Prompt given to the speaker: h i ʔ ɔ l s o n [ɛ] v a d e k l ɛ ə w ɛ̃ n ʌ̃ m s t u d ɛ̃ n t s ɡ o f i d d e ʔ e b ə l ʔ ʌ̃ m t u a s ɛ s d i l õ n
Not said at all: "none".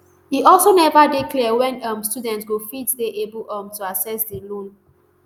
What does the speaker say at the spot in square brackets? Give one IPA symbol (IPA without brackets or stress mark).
ɛ